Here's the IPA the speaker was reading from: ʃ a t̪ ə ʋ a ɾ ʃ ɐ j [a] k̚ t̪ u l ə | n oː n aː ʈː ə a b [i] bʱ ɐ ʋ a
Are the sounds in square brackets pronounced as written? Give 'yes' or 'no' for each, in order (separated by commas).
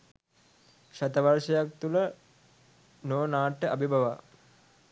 yes, yes